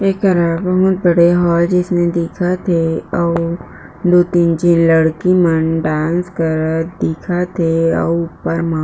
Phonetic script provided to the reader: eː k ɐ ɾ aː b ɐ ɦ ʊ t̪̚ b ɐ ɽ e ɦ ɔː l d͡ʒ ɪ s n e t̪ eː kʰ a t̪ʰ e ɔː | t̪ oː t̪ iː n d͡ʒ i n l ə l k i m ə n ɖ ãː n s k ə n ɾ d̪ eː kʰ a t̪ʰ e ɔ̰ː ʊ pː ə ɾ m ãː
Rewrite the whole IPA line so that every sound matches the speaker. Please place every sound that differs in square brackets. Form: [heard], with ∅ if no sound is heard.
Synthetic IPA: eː k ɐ ɾ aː b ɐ ɦ ʊ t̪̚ b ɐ ɽ e ɦ ɔː l d͡ʒ ɪ s n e [d̪] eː kʰ a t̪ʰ e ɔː | [d̪] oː t̪ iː n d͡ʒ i n l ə [ɽ] k i m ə n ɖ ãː n s k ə [∅] ɾ d̪ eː kʰ a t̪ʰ e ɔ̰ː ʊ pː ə ɾ m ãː